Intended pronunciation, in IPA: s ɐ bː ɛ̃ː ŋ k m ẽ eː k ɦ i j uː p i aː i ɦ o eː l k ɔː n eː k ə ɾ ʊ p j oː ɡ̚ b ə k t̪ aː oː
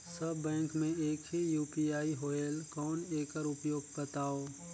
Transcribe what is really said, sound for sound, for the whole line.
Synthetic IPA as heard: s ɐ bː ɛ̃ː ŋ k m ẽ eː k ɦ i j uː p i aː i ɦ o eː l k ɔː n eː k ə ɾ ʊ p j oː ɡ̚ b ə t̪ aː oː